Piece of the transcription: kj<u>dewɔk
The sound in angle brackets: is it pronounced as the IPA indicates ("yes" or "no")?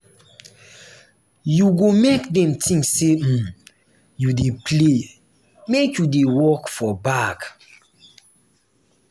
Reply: yes